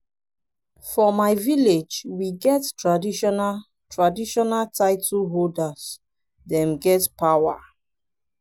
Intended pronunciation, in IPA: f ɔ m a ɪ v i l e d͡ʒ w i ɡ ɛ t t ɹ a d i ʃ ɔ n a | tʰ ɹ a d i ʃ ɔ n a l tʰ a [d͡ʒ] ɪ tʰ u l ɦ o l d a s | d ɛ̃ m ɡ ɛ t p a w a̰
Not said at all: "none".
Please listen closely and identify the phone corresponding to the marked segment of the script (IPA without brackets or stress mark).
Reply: none